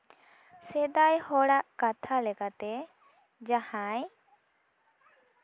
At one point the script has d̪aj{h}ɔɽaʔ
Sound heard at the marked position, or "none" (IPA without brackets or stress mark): h